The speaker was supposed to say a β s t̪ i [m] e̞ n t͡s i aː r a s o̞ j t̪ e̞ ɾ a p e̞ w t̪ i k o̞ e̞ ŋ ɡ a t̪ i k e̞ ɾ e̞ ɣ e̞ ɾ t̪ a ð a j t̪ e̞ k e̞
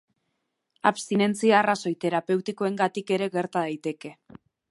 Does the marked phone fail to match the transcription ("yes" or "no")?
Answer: yes